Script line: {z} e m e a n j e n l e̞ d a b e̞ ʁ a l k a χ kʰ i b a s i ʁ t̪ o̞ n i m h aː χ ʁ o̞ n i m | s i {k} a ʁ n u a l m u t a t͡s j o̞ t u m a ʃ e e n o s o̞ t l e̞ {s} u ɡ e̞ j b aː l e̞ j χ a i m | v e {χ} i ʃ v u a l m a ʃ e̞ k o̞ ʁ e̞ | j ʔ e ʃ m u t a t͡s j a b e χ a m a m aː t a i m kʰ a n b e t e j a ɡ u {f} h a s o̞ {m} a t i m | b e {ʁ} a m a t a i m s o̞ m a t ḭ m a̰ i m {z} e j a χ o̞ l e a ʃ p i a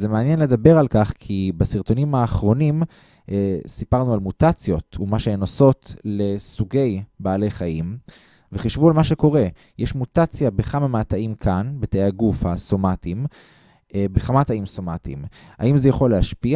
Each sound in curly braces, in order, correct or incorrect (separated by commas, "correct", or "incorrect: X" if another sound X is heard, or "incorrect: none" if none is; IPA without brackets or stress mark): correct, incorrect: p, correct, correct, correct, correct, incorrect: χ, correct